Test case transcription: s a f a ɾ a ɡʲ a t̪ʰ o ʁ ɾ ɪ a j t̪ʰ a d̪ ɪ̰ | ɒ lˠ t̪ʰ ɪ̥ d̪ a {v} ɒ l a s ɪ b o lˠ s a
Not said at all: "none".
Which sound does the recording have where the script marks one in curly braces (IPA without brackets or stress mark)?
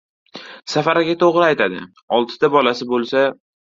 b